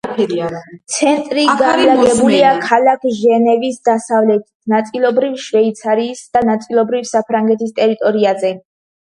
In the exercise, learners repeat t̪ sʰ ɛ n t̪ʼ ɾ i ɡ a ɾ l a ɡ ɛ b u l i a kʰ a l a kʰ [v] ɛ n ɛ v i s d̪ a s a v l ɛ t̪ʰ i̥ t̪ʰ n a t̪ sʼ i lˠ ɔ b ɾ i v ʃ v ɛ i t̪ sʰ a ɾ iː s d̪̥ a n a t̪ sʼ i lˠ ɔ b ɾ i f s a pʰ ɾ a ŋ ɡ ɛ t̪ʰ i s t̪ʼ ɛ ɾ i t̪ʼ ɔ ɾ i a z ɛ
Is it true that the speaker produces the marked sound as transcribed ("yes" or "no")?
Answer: no